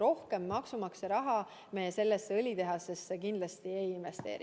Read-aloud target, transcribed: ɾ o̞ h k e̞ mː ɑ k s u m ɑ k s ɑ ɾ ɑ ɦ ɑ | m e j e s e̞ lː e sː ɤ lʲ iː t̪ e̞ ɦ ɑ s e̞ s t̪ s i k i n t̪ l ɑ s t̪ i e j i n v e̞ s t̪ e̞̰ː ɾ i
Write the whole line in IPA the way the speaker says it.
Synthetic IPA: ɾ o̞ h k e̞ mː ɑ k s u m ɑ k s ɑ ɾ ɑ ɦ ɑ | m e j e s e̞ lː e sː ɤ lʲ i t̪ e̞ ɦ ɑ s e̞ s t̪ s e k i n d̪ l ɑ s t̪ i e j i n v e̞ s t̪ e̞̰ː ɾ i